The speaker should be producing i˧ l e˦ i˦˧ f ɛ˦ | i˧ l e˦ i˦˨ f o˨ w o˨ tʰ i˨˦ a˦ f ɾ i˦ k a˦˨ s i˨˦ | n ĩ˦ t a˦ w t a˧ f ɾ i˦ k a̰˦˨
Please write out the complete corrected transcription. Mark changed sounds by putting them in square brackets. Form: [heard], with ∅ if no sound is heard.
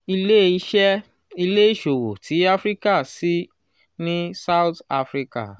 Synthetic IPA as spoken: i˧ l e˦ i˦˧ [ʃ] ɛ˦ | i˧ l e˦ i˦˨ [ʃ] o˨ w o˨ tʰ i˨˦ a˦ f ɾ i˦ k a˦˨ s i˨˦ | n ĩ˦ [s] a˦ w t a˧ f ɾ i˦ k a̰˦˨